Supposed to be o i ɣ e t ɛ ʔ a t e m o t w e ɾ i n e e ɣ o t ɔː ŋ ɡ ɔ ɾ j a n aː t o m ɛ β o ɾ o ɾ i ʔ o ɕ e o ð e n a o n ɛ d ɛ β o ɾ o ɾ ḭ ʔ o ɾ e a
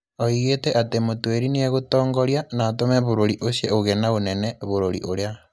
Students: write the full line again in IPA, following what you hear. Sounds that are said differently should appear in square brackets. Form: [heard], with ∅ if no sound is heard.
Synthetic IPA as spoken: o i ɣ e t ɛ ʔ a t e m o t w e ɾ i n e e ɣ o t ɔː ŋ ɡ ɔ ɾ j a n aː t o m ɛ β o ɾ o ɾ i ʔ o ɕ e o [ɣ] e n a o n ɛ [n] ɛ β o ɾ o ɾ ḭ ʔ o ɾ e a